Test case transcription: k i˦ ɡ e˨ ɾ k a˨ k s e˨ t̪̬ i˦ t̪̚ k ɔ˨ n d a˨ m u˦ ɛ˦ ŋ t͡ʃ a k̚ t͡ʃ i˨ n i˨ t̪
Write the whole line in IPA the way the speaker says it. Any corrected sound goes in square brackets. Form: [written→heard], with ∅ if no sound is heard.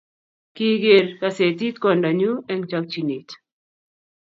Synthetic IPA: k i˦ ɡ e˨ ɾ k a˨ [k→∅] s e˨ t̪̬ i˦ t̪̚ k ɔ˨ n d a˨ [m→ɲ] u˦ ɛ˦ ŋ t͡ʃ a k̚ t͡ʃ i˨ n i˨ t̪